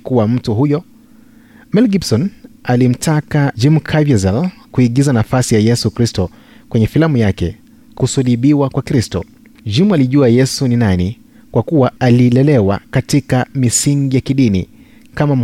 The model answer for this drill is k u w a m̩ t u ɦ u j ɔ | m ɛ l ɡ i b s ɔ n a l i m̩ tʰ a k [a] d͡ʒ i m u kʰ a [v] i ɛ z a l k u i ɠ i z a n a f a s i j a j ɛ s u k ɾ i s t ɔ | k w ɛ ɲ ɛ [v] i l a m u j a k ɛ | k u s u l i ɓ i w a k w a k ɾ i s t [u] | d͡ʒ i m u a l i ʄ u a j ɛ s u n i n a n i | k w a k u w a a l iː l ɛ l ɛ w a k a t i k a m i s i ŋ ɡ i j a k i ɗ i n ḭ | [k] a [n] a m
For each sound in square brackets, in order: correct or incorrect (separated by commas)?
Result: correct, correct, incorrect, incorrect, correct, incorrect